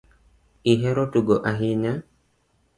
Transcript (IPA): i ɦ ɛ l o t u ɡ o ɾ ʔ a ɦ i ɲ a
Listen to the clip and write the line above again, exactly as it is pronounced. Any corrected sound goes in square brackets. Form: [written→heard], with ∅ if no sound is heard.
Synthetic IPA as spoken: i ɦ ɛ [l→ɾ] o t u ɡ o [ɾ→∅] ʔ a ɦ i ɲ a